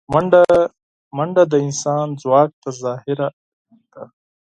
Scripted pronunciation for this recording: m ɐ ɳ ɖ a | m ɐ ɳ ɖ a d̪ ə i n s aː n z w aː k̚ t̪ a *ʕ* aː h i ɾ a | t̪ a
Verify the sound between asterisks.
incorrect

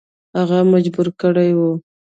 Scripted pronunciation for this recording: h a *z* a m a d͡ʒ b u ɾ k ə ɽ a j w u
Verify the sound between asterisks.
incorrect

